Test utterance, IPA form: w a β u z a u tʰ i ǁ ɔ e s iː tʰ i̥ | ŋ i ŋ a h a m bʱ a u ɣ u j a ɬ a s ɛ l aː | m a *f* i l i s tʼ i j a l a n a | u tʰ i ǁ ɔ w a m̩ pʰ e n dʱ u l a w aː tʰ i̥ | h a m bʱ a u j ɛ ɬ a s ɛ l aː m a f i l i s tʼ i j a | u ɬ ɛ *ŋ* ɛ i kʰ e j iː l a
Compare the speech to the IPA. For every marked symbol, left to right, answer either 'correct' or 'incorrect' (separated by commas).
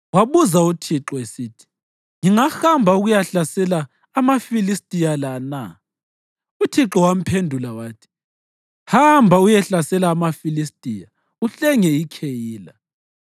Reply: correct, correct